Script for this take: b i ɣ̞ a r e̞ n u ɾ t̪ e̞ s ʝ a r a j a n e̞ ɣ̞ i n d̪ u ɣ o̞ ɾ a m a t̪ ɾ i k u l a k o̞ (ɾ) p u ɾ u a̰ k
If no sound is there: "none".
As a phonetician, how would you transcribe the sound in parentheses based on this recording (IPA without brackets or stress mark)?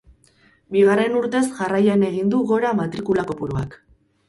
none